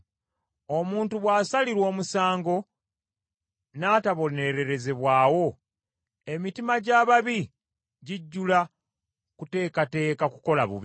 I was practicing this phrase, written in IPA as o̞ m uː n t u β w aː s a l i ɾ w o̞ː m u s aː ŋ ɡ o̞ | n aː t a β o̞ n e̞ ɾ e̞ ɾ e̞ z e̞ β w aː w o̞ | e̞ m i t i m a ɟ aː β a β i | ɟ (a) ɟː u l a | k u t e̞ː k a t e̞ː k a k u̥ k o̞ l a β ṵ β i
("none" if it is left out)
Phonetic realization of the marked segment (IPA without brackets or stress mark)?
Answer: i